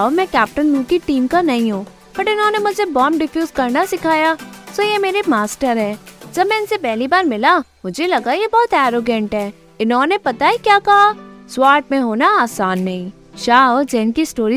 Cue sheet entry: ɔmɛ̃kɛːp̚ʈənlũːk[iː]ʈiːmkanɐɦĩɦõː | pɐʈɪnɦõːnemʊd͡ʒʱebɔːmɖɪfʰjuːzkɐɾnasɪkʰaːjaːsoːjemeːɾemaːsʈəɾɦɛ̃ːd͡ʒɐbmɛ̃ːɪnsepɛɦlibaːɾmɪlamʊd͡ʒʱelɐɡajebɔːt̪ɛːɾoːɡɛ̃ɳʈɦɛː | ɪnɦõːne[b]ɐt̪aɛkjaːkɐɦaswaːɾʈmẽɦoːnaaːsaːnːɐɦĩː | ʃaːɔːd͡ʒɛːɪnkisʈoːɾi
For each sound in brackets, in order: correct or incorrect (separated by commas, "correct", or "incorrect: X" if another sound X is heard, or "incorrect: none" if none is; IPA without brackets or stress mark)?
incorrect: i, incorrect: p